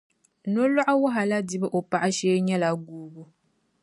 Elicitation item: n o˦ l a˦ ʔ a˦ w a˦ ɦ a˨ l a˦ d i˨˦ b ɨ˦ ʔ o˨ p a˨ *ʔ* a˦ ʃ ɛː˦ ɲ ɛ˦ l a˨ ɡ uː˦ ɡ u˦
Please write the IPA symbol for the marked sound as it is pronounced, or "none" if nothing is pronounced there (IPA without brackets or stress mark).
ʔ